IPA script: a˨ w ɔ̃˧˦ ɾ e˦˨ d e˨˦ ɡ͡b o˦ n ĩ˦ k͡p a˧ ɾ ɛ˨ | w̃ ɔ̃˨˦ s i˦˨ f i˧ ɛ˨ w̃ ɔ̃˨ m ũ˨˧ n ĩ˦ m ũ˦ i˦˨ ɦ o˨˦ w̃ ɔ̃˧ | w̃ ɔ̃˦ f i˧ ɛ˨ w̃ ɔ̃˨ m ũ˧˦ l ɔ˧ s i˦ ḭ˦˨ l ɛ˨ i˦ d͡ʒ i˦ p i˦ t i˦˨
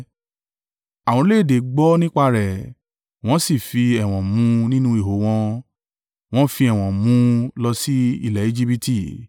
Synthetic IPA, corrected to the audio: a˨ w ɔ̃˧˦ l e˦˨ d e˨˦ ɡ͡b ɔ˦ n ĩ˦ k͡p a˧ ɾ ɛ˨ | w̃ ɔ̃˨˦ s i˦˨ f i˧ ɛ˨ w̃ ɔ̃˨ m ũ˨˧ n ĩ˦ n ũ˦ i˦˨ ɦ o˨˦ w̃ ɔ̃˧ | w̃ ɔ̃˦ f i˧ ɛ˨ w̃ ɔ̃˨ m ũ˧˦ l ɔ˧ s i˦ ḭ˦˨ l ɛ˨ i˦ d͡ʒ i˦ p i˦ t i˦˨